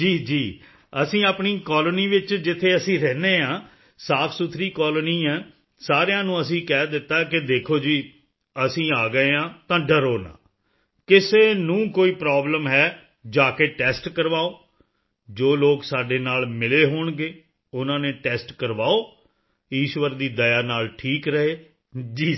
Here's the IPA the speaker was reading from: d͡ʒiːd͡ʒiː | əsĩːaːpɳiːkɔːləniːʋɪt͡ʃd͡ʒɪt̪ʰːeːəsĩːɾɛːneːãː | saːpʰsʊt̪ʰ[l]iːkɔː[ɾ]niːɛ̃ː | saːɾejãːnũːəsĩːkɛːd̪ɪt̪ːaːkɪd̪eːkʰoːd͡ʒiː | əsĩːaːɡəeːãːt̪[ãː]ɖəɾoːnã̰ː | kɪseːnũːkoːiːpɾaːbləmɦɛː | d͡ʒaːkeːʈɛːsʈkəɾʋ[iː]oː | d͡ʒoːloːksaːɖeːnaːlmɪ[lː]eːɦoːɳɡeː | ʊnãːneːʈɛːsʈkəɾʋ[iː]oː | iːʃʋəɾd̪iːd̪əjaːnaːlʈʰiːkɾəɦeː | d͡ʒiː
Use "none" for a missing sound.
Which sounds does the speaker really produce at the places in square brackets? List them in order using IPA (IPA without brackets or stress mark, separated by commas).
ɾ, l, ãː, aː, l, aː